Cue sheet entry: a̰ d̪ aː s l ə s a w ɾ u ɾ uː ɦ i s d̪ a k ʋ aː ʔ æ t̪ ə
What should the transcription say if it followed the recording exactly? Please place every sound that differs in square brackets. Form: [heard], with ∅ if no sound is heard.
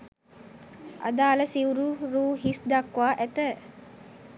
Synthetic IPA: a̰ d̪ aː [∅] l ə s [i] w ɾ u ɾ uː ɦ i s d̪ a k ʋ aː ʔ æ t̪ ə